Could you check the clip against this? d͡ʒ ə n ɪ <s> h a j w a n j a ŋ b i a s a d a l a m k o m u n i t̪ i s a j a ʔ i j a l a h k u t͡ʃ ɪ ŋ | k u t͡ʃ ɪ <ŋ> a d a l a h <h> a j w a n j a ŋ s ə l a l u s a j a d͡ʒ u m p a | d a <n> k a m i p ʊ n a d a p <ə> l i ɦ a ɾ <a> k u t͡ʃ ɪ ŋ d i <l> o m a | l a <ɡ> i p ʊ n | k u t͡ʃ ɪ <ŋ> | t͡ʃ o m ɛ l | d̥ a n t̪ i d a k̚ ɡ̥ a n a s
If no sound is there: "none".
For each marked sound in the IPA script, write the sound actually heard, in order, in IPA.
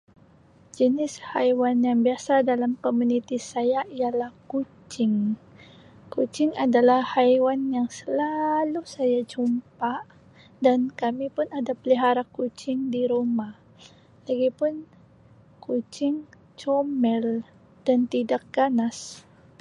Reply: s, ŋ, h, n, ə, a, ɾ, ɡ, ŋ

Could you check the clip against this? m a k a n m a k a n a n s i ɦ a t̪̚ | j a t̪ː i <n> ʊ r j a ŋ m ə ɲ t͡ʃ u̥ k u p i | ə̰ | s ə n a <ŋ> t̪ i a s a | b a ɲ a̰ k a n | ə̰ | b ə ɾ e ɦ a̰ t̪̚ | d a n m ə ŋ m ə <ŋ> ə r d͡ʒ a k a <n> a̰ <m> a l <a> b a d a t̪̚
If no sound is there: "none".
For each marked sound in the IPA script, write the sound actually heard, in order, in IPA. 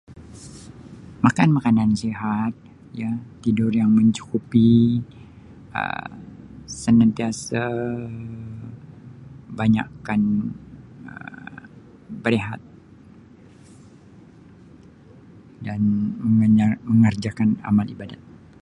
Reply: d, n, ŋ, n, m, i

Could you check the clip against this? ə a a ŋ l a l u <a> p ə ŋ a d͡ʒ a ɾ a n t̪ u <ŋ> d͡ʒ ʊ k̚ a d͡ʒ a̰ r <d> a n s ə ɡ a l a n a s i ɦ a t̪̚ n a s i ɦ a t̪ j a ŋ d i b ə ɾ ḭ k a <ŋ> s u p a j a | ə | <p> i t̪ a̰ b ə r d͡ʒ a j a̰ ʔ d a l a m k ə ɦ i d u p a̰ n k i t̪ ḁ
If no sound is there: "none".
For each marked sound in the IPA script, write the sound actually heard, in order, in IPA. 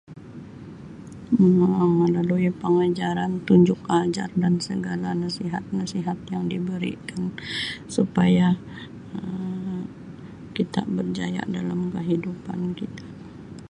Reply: i, ɲ, d, n, k

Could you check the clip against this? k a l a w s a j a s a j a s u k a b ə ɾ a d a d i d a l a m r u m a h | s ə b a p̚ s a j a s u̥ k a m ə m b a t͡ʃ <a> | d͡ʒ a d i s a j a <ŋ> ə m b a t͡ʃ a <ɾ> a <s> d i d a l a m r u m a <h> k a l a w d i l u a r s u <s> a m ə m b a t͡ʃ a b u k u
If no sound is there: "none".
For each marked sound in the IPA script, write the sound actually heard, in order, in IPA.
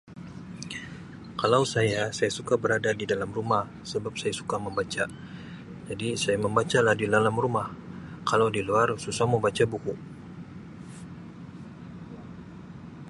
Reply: a, m, l, h, h, s

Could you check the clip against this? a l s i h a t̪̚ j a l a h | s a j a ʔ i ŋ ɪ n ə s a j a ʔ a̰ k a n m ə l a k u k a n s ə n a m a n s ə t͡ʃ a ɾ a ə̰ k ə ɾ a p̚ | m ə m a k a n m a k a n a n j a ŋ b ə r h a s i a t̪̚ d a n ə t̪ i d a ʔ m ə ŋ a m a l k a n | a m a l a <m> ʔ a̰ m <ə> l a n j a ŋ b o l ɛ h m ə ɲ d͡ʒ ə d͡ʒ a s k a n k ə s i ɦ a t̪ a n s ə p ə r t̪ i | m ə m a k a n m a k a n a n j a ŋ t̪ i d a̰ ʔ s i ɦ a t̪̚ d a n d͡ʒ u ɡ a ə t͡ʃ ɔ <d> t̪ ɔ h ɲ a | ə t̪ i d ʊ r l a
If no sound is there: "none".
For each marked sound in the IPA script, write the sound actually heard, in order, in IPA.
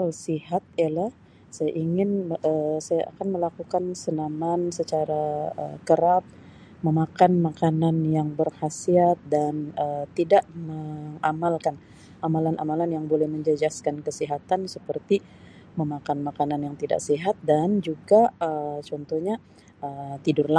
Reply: n, a, n

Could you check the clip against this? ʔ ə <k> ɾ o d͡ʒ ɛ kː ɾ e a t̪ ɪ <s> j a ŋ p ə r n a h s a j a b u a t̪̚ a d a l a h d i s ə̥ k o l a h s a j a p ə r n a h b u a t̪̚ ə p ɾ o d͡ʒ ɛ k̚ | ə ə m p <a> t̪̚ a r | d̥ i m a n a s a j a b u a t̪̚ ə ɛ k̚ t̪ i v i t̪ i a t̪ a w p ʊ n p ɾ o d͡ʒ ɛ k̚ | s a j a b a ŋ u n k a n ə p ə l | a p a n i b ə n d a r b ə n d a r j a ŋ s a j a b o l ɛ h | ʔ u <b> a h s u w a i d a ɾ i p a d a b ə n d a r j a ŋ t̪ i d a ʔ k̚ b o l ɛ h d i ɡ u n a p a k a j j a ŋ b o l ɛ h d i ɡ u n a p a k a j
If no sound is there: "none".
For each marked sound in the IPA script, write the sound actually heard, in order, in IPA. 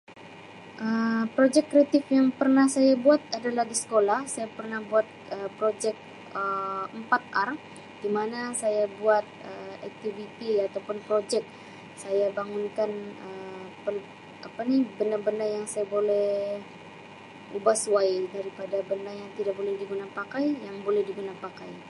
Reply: p, f, a, b

